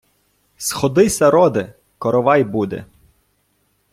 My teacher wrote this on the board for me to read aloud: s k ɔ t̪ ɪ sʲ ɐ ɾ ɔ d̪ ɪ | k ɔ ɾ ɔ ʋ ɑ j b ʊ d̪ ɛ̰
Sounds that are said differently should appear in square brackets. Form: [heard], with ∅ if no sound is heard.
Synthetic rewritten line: s [x] ɔ [d̪] ɪ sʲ ɐ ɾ ɔ d̪ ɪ | k ɔ ɾ ɔ ʋ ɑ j b [u] d̪ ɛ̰